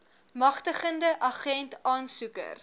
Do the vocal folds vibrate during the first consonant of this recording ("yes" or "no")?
yes